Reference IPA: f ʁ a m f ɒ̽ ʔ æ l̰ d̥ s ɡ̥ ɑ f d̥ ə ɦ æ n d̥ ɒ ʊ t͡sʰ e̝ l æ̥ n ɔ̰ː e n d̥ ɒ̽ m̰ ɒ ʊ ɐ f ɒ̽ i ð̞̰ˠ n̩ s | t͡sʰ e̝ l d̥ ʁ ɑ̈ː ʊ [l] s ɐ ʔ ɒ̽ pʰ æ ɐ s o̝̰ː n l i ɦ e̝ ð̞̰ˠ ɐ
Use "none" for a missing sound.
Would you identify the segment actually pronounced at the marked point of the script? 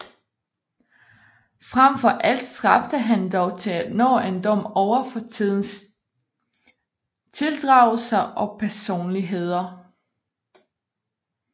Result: l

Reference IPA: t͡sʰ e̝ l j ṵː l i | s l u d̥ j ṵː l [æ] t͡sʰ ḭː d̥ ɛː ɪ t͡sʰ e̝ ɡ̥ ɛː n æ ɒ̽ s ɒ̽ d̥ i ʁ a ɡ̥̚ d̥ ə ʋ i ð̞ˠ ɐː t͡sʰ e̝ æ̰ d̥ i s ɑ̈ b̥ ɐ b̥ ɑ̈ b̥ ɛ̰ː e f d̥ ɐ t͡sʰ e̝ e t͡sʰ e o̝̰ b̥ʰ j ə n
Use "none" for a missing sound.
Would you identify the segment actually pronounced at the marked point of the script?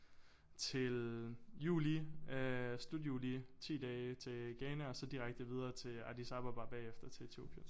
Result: i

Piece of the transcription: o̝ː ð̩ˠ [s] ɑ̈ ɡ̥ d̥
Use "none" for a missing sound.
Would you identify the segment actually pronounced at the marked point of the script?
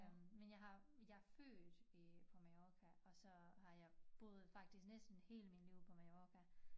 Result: f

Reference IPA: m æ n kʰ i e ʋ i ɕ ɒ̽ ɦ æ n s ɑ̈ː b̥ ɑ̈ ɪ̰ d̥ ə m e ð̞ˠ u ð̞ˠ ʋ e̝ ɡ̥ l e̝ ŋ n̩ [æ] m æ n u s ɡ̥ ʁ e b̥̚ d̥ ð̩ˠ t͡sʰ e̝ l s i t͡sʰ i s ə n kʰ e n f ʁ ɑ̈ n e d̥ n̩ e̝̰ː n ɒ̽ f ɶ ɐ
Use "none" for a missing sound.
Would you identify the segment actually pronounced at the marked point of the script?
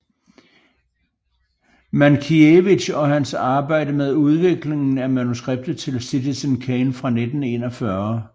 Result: æ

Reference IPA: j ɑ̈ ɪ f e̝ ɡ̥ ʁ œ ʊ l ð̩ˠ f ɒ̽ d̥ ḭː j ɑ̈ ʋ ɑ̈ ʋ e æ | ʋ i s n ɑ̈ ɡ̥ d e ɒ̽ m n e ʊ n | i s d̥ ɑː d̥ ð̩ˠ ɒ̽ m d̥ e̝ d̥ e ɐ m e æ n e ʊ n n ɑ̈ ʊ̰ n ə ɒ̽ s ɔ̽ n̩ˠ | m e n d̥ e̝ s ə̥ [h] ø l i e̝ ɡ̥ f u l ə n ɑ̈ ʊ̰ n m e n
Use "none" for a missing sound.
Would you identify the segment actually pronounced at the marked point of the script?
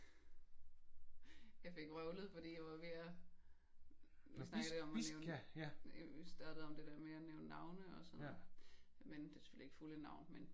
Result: f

